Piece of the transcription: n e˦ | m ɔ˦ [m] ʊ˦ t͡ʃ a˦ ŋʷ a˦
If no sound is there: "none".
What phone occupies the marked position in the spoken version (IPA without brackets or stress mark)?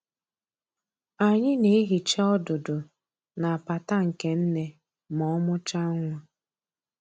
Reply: m